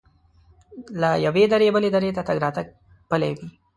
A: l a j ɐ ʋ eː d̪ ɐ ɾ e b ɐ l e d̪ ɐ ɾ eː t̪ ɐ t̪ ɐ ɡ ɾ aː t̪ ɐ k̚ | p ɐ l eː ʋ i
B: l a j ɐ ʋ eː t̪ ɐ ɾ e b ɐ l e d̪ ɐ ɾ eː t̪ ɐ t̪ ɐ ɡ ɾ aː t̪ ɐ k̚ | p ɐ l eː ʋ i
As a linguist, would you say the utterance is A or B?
A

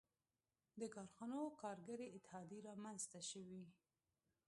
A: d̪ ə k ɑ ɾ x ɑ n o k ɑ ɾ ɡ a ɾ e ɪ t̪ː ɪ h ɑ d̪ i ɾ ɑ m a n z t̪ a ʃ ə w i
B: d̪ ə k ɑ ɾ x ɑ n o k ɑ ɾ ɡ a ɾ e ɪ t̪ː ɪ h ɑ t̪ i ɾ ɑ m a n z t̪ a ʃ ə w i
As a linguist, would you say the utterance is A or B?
A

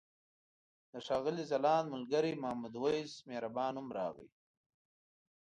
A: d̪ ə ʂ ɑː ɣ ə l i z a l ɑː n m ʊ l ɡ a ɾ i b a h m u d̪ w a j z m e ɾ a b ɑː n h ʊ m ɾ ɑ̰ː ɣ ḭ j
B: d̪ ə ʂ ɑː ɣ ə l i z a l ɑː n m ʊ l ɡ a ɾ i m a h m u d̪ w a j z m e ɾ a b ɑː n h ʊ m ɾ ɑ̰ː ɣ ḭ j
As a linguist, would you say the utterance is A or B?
B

